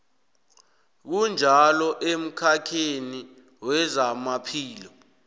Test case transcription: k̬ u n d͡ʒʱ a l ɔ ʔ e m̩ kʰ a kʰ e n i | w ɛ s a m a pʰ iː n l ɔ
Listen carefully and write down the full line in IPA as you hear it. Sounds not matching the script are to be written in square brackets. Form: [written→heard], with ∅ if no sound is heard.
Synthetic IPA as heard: k̬ u n d͡ʒʱ a l ɔ ʔ e m̩ kʰ a kʰ e n i | w ɛ [s→z] a m a pʰ iː [n→∅] l ɔ